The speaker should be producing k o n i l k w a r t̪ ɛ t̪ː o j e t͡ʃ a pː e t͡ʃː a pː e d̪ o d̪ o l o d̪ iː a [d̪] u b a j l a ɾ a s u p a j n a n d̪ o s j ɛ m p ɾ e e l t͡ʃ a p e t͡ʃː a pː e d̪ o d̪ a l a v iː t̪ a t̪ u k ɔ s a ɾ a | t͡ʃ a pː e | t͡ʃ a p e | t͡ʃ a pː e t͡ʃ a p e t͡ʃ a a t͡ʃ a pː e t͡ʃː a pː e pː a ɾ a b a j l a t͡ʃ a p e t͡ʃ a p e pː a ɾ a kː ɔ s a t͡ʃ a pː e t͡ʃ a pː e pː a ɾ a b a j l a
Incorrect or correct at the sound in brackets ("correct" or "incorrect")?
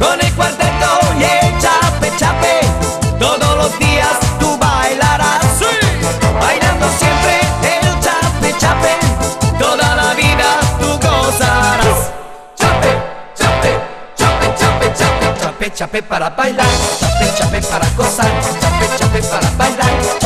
incorrect